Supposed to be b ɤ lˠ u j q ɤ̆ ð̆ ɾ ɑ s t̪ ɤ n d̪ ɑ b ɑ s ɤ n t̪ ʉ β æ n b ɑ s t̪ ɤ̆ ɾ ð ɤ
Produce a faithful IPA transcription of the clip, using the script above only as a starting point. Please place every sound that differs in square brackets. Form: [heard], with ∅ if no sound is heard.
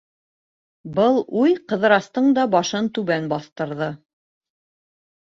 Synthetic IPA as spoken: b ɤ lˠ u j q ɤ̆ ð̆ ɾ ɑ s t̪ ɤ [ɴ] d̪ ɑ b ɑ [ʃ] ɤ n t̪ ʉ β æ n b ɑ [θ] t̪ ɤ̆ ɾ ð ɤ